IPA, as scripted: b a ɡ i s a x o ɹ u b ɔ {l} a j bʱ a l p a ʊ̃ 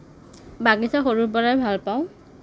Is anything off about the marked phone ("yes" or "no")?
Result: yes